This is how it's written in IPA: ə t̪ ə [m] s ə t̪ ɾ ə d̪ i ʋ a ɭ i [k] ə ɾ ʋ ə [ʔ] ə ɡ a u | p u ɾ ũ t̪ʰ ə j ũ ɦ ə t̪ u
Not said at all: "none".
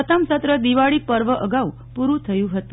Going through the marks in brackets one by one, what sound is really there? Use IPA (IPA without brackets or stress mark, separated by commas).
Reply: m, p, ʔ